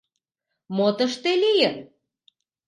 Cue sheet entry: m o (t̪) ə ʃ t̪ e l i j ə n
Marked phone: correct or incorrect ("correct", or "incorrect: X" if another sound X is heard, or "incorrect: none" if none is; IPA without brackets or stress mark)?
correct